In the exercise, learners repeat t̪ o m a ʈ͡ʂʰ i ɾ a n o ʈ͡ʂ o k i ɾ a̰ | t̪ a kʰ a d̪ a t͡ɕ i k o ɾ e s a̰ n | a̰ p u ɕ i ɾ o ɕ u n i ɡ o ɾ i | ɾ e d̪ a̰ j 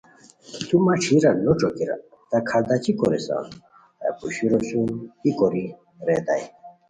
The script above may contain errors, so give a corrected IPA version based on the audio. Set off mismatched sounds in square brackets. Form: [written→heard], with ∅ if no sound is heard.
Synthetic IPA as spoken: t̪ [o→u] m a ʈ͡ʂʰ i ɾ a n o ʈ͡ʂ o k i ɾ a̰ | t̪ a kʰ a d̪ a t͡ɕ i k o ɾ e s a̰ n | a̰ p u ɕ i ɾ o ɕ u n i [ɡ→k] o ɾ i | ɾ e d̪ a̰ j

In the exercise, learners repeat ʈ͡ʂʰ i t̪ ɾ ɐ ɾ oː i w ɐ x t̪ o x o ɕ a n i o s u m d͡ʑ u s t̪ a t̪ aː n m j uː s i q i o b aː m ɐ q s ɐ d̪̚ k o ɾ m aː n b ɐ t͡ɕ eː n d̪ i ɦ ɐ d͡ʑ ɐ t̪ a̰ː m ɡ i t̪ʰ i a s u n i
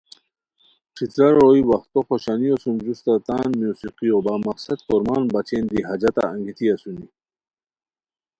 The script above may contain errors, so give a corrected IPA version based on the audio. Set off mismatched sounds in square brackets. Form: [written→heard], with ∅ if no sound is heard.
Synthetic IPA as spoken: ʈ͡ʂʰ i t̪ ɾ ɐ ɾ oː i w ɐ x t̪ o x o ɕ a n i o s u m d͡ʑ u s t̪ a t̪ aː n m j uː s i q i o b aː m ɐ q s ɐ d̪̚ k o ɾ m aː n b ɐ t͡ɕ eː n d̪ i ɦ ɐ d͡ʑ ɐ t̪ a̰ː [m→ŋ] ɡ i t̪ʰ i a s u n i

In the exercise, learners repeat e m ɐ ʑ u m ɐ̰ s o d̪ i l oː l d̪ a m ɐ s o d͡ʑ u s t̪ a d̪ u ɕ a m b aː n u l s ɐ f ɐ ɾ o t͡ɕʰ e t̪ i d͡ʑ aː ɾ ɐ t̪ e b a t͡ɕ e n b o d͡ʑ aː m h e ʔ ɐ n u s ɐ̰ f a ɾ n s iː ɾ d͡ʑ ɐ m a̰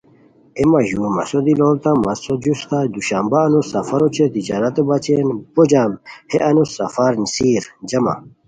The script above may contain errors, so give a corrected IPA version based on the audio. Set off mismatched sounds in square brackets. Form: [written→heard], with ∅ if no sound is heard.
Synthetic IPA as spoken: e m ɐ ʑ u m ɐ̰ s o d̪ i l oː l [d̪→t̪] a m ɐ s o d͡ʑ u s t̪ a d̪ u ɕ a m b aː n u [l→∅] s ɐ f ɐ ɾ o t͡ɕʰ e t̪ i d͡ʑ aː ɾ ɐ t̪ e b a t͡ɕ e n b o d͡ʑ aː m h e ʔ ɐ n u s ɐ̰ f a ɾ n s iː ɾ d͡ʑ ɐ m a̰

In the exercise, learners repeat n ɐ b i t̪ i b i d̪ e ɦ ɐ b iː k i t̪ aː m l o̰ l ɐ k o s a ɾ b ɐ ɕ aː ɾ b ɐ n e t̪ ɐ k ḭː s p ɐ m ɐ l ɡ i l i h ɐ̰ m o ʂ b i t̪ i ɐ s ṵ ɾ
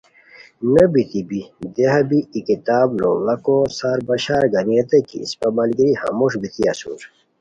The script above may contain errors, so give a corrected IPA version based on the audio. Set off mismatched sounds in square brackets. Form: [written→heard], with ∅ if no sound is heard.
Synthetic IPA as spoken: n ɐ b i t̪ i b i d̪ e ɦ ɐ b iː k i t̪ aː [m→b] l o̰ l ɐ k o s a ɾ b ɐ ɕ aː ɾ [b→ɡ] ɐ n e t̪ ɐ k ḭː s p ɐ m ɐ l ɡ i [l→ɾ] i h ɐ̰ m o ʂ b i t̪ i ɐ s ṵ ɾ

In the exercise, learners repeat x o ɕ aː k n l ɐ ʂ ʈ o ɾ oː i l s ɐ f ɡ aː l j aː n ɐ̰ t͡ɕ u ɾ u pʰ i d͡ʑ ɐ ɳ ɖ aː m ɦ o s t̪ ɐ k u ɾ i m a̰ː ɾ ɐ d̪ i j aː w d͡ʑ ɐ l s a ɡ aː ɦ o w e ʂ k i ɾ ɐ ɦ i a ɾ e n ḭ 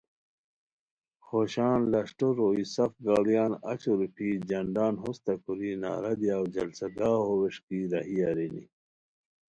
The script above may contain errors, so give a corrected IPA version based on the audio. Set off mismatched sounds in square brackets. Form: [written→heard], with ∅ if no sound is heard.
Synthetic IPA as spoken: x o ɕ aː [k→∅] n l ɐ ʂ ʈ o ɾ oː i [l→∅] s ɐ f ɡ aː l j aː n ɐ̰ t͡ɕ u ɾ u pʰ i d͡ʑ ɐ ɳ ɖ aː [m→n] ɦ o s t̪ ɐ k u ɾ i [m→n] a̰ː ɾ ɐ d̪ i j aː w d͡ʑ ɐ l s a ɡ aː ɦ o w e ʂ k i ɾ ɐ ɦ i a ɾ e n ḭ

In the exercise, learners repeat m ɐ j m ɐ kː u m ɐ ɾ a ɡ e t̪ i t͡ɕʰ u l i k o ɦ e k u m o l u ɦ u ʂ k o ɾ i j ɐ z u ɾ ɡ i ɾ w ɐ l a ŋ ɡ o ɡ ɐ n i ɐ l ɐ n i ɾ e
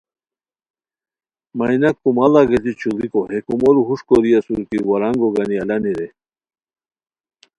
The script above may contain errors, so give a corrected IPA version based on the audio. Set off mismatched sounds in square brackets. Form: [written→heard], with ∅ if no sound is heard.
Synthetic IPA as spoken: m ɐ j [m→n] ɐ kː u m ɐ [ɾ→l] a ɡ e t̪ i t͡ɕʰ u l i k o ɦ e k u m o l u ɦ u ʂ k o ɾ i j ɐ [z→s] u ɾ [ɡ→k] i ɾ w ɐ [l→ɾ] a ŋ ɡ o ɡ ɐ n i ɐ l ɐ n i ɾ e

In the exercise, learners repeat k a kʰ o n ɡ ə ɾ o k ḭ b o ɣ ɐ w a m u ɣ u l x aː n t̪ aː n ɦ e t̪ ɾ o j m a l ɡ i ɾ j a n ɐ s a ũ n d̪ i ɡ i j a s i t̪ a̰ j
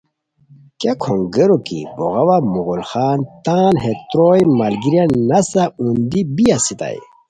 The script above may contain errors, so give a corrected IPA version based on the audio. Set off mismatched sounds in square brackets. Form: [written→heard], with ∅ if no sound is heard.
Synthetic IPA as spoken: k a kʰ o [n→ŋ] ɡ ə ɾ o k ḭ b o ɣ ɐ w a m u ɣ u l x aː n t̪ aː n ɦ e t̪ ɾ o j m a l ɡ i ɾ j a n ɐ s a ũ n d̪ i [ɡ→b] i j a s i t̪ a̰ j

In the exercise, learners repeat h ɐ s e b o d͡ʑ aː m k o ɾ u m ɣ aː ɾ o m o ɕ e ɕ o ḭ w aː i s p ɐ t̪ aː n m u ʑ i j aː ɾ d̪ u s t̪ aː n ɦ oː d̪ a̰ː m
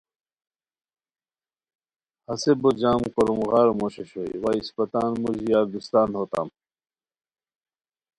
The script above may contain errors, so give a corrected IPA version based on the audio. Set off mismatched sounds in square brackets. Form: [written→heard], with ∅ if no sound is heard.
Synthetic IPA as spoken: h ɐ s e b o d͡ʑ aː m k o ɾ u m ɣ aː ɾ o m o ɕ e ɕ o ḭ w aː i s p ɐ t̪ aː n m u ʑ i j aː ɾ d̪ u s t̪ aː n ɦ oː [d̪→t̪] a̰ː m

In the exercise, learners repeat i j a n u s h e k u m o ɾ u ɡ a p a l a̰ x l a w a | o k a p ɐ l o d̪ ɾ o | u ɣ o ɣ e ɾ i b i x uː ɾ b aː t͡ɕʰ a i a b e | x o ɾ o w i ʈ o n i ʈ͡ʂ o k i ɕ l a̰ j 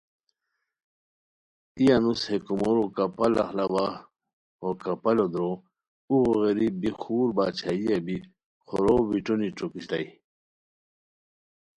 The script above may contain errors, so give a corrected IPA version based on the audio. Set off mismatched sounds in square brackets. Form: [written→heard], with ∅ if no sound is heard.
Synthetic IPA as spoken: i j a n u s h e k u m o ɾ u [ɡ→k] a p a l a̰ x l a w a | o k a p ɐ l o d̪ ɾ o | u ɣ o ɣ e ɾ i b i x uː ɾ b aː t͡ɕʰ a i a b [e→i] | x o ɾ o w i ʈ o n i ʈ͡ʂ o k i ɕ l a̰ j

